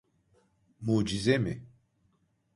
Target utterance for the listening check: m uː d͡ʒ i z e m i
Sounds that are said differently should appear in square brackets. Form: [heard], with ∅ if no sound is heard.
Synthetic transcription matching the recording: m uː d͡ʒ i z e m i